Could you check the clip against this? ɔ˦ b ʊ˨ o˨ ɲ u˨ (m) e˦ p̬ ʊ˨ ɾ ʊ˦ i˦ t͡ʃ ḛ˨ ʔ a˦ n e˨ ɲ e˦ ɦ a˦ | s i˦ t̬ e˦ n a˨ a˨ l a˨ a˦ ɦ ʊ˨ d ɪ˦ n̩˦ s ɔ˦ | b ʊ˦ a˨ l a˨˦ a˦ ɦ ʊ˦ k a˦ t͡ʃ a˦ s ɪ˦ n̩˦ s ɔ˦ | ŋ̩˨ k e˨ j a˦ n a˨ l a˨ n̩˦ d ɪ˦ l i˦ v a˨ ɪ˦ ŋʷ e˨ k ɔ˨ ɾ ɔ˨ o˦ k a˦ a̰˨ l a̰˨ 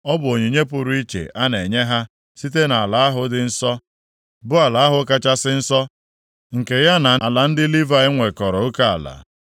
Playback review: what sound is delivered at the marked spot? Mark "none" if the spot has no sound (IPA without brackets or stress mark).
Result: ɲ